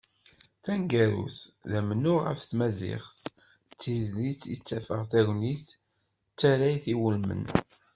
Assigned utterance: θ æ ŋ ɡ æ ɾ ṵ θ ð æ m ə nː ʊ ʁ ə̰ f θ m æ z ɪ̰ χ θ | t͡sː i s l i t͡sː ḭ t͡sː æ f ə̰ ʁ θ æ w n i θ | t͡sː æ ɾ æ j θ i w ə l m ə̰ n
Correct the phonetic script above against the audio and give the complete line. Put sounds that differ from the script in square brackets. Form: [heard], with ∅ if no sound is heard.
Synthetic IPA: θ æ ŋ ɡ æ ɾ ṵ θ ð æ m ə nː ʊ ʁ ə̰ f θ m æ z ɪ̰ χ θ | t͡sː i [z] l i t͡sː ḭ t͡sː æ f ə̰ ʁ θ æ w n i θ | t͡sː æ ɾ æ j θ i w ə l m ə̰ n